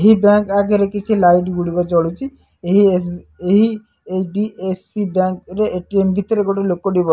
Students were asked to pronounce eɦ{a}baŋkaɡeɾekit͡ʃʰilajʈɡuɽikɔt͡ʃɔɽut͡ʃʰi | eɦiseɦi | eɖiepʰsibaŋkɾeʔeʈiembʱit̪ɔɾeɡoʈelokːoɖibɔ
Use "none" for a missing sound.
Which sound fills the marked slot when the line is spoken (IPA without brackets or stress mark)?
i